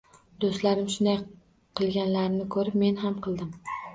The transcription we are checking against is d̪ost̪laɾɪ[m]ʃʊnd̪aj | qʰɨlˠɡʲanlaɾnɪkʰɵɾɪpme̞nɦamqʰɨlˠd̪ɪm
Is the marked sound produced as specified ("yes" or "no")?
yes